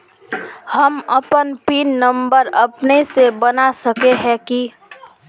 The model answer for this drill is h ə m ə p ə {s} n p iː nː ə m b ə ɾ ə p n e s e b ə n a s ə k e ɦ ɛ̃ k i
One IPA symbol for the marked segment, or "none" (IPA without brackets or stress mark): none